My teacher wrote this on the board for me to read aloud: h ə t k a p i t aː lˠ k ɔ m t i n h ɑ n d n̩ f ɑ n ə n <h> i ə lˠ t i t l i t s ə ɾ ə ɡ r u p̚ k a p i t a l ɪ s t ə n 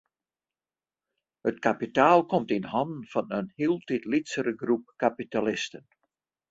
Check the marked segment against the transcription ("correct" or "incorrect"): correct